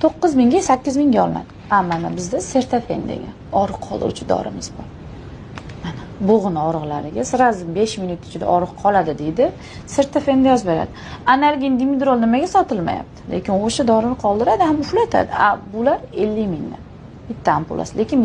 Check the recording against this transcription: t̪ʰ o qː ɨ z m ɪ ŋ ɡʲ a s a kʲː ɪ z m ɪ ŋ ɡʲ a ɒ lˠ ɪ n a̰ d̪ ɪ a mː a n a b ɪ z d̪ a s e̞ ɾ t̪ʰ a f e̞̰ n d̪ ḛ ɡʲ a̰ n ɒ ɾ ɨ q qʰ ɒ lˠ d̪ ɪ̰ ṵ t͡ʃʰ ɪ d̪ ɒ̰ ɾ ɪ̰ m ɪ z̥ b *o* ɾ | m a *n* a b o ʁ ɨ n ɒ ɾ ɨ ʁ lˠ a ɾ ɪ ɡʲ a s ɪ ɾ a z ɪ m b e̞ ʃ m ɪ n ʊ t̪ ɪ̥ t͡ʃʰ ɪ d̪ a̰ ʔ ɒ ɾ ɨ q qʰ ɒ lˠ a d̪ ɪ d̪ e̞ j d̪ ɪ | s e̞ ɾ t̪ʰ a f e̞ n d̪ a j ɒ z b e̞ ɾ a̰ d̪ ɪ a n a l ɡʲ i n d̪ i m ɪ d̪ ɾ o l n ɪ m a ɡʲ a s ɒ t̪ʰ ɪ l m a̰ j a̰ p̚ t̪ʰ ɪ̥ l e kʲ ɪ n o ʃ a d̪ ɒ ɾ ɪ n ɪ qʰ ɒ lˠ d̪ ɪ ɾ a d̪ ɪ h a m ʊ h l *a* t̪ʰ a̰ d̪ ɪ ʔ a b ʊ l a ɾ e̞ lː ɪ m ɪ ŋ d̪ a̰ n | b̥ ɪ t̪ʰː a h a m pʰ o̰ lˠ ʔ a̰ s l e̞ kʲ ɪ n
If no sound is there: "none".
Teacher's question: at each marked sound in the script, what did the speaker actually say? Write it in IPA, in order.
ɒ, n, a

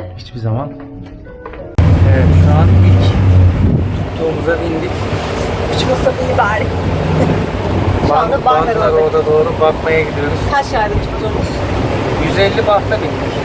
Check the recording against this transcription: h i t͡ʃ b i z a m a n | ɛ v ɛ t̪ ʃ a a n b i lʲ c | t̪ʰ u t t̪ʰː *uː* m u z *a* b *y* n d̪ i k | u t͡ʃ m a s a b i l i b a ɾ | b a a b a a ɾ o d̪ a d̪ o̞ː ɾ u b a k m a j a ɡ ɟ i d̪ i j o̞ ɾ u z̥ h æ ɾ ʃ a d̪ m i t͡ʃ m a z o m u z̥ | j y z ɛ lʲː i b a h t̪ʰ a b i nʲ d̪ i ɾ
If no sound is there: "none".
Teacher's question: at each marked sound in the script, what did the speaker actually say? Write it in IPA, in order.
uː, a, i

